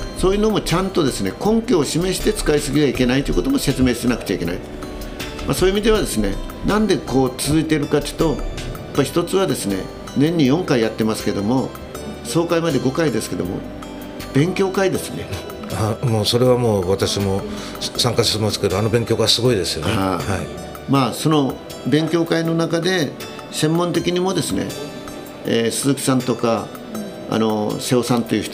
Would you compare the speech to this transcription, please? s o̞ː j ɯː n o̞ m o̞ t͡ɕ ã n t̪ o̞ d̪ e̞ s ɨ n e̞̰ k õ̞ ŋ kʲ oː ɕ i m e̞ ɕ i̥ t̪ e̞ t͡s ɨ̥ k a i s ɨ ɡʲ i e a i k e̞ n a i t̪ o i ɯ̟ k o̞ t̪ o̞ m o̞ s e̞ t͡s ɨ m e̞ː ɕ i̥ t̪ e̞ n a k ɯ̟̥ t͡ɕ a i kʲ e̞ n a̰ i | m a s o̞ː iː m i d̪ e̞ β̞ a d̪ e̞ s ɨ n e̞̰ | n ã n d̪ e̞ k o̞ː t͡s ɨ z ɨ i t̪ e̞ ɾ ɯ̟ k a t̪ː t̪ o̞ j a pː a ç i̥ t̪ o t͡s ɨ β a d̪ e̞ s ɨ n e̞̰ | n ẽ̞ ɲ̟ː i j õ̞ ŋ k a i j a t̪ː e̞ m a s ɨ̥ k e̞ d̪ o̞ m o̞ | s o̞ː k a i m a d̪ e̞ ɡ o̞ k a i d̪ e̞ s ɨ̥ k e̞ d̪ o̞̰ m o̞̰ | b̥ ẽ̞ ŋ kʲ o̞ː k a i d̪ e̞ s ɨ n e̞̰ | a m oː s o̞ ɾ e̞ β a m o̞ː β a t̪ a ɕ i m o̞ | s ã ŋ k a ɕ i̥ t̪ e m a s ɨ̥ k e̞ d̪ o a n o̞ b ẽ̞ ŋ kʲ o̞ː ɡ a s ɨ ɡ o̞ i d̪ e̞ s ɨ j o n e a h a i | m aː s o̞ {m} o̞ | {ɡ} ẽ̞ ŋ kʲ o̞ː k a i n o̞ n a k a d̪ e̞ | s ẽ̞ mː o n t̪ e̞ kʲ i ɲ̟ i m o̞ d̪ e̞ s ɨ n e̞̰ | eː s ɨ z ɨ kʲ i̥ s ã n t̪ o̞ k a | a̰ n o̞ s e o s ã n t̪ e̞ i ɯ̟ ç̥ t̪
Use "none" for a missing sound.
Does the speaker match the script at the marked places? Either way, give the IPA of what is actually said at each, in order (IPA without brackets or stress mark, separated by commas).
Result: n, b